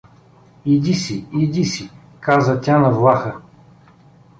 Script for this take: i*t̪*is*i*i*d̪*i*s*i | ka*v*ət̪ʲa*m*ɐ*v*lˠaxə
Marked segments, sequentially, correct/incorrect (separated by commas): incorrect, correct, correct, correct, incorrect, incorrect, correct